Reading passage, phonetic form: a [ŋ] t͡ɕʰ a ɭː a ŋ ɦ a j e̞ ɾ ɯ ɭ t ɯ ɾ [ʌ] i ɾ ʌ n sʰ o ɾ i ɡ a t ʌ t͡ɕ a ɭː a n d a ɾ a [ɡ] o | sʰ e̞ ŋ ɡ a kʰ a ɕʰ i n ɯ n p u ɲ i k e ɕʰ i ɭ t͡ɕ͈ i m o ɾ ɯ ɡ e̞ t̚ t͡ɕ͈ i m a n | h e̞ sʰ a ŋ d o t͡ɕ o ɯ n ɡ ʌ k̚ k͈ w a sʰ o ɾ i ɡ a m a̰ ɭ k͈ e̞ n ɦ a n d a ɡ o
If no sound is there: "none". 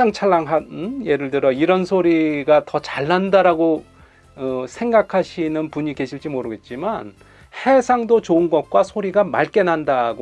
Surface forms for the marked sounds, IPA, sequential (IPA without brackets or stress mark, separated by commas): ŋ, ʌ, ɡ